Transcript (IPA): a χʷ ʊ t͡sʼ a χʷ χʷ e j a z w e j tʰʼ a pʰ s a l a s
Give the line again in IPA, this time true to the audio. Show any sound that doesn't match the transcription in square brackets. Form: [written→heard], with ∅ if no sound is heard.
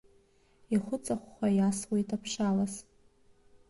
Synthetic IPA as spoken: [a→i] χʷ ʊ t͡sʼ a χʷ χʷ [e→a] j a [z→s] w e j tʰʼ a pʰ [s→ʂ] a l a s